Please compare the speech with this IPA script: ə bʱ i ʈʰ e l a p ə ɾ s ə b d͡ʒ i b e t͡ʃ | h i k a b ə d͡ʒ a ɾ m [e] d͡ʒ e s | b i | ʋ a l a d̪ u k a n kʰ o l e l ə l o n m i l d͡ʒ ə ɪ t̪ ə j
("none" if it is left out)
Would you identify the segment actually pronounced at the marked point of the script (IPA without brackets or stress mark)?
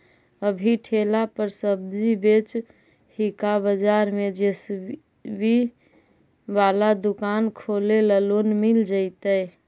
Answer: e